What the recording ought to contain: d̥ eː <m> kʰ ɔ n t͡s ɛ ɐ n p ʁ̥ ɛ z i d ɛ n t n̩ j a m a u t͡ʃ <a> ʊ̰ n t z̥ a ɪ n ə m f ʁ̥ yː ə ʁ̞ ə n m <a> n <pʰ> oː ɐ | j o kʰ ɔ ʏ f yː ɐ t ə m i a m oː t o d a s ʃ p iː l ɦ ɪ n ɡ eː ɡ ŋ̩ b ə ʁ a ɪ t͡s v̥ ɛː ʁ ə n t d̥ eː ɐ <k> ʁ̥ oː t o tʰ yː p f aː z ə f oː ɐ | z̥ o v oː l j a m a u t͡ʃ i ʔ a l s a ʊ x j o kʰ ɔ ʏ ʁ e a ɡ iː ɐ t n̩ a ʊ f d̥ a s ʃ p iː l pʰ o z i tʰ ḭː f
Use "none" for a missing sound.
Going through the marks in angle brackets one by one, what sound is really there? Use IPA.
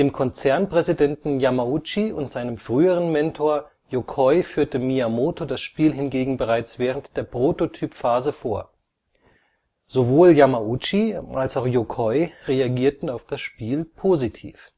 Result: m, i, ɛ, tʰ, p

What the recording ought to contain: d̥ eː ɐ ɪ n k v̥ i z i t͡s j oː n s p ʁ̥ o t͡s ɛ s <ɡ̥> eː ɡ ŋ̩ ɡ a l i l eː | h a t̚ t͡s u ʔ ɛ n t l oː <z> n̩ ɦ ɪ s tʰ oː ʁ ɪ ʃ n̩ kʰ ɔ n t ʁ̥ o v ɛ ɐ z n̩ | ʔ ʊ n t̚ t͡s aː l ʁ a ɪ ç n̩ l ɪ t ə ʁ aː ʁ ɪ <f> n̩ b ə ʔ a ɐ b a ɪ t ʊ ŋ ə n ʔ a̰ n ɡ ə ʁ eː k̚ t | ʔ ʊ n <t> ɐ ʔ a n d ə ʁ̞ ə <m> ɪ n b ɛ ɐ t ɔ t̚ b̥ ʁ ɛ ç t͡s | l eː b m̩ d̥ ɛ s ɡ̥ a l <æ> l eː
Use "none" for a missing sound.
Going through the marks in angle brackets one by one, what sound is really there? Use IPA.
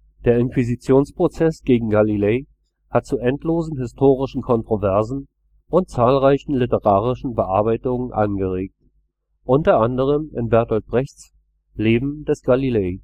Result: ɡ̥, z, ʃ, t, m, i

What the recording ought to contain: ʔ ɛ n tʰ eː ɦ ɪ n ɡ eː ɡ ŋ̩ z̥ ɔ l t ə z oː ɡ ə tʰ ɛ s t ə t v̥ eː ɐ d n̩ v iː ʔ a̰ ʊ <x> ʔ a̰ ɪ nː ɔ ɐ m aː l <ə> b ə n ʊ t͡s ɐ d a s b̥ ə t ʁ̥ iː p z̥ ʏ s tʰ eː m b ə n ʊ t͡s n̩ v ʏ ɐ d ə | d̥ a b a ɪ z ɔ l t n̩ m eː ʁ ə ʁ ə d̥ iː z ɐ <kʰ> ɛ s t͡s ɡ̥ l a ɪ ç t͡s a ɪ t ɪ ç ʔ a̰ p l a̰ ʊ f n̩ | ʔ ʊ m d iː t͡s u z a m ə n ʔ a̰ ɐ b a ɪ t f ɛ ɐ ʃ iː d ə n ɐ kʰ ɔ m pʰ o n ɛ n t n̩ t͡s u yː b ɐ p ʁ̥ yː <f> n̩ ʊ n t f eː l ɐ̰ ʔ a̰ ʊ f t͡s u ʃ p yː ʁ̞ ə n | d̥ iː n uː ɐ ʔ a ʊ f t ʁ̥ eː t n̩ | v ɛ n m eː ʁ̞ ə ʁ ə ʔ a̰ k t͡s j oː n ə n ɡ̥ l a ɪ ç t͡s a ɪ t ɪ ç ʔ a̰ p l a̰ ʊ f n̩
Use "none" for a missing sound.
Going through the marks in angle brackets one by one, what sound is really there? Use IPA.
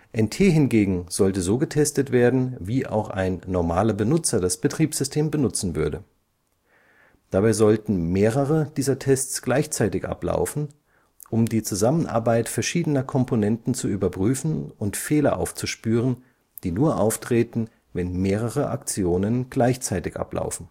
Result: x, ɐ, tʰ, f

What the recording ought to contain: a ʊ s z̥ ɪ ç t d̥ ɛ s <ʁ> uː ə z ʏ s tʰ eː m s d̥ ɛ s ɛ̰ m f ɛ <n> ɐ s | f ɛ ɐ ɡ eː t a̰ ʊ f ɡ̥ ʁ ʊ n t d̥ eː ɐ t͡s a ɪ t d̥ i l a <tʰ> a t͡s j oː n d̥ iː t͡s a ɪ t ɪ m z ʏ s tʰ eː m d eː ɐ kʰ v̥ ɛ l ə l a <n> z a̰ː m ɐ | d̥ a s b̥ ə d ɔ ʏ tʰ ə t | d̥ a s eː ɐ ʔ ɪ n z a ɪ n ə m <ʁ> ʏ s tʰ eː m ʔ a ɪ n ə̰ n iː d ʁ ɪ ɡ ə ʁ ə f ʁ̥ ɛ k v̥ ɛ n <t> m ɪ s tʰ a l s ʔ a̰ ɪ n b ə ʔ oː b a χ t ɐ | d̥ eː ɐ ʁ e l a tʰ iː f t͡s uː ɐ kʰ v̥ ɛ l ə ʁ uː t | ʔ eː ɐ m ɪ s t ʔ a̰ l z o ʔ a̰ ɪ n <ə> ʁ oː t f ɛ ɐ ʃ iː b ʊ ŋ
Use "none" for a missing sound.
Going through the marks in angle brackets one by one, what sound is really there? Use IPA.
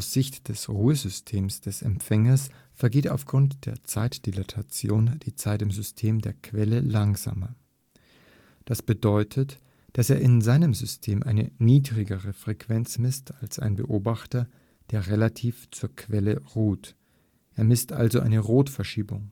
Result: ʁ, ŋ, tʰ, ŋ, z, t͡s, ə

